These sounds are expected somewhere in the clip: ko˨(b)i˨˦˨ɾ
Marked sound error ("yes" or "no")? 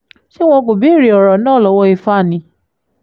no